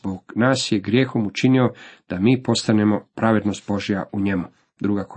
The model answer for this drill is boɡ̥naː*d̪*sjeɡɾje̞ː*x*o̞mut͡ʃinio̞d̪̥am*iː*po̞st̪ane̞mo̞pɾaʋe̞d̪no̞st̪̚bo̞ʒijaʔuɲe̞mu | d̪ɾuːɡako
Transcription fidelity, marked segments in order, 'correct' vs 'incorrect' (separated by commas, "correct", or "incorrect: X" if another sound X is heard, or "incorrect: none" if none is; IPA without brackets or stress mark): incorrect: none, correct, correct